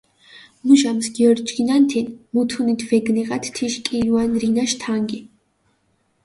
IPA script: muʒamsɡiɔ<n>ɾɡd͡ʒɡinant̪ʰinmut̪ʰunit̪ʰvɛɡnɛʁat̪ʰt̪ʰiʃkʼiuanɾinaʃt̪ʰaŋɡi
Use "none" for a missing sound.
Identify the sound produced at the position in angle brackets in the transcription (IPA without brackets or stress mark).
none